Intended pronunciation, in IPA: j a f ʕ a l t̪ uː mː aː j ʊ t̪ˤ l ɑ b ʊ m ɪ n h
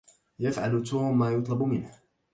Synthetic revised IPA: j a f ʕ a l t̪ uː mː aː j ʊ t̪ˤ l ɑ b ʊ m ɪ n h